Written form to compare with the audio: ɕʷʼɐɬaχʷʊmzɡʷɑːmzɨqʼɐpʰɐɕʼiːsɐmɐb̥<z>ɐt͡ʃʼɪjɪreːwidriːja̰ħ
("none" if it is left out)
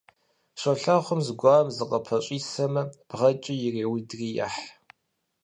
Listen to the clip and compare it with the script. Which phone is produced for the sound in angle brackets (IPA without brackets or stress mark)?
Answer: ʁ